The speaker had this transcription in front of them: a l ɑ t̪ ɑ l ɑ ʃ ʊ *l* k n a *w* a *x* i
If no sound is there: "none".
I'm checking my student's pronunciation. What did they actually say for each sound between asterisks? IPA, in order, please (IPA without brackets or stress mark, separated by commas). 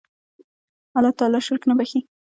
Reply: ɾ, b, x